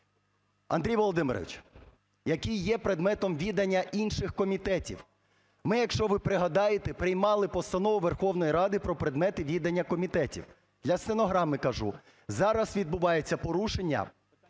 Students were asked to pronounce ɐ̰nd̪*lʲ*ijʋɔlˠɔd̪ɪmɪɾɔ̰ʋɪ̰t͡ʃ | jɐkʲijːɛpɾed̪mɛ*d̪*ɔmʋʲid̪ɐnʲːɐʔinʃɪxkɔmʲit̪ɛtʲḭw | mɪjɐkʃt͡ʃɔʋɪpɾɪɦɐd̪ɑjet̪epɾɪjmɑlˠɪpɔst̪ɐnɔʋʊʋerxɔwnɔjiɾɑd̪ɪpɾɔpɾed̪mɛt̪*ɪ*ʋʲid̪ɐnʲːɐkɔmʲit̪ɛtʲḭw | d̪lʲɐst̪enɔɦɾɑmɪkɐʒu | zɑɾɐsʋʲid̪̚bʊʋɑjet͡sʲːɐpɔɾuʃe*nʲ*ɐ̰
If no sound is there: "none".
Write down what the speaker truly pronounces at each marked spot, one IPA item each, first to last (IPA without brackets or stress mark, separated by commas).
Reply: ɾʲ, t̪, ɪ, nʲː